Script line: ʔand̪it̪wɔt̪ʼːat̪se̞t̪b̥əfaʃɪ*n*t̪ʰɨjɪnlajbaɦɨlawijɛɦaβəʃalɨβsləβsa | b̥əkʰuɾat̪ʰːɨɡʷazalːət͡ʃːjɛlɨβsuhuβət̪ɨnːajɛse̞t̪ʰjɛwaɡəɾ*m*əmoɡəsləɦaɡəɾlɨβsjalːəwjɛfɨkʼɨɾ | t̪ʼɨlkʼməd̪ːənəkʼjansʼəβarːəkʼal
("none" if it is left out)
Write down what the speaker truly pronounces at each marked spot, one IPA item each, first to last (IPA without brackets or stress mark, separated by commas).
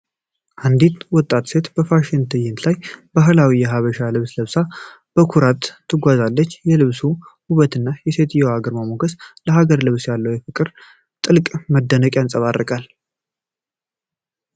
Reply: n, m